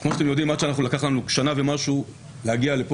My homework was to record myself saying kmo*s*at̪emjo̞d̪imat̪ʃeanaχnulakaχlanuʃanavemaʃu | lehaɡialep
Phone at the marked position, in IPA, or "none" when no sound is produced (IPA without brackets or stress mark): ʃ